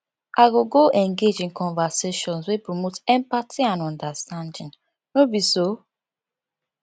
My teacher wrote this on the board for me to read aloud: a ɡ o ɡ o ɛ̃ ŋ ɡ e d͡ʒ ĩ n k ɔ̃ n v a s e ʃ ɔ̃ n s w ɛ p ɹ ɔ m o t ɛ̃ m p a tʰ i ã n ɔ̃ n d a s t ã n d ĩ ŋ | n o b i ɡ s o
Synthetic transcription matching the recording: a ɡ o ɡ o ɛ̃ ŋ ɡ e d͡ʒ ĩ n k ɔ̃ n v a s e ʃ ɔ̃ n s w e p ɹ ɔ m o t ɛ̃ m p a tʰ i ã n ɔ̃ n d a s t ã n d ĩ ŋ | n o b i s o